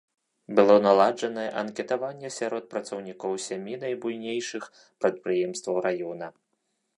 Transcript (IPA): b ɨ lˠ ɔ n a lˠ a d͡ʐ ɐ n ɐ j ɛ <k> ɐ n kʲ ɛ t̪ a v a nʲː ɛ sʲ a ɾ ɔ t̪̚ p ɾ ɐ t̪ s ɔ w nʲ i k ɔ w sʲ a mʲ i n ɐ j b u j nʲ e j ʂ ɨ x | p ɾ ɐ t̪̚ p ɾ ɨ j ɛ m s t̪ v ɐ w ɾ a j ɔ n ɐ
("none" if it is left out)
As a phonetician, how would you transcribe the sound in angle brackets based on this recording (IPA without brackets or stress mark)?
ʔ